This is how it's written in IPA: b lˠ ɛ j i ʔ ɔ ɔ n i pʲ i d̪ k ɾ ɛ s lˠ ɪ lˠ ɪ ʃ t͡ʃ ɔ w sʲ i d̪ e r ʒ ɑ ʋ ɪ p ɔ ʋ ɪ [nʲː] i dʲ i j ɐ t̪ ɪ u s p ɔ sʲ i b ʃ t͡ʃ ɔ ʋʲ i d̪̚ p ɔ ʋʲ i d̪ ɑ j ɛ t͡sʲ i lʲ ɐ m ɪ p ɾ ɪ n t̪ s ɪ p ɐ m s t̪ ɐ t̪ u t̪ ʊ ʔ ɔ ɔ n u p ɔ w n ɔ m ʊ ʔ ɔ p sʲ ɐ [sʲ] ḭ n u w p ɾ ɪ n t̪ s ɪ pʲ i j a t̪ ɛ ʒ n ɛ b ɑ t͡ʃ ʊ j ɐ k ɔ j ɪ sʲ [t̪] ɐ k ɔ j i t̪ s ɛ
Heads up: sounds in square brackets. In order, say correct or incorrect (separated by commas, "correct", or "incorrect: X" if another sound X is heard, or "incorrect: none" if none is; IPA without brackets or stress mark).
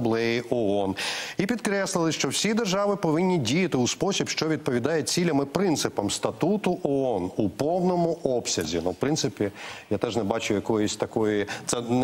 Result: correct, incorrect: zʲ, correct